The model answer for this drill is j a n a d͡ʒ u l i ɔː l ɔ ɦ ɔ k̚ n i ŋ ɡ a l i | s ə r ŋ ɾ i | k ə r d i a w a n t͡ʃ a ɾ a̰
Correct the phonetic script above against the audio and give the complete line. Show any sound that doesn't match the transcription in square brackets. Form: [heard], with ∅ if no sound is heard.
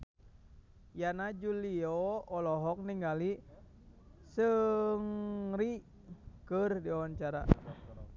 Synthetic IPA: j a n a d͡ʒ u l i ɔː l ɔ ɦ ɔ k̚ n i ŋ ɡ a l i | s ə [∅] ŋ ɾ i | k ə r d i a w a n t͡ʃ a ɾ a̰